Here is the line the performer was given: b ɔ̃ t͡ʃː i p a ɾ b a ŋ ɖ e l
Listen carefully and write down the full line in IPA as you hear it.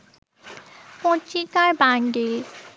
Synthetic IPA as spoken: p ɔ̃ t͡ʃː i k a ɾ b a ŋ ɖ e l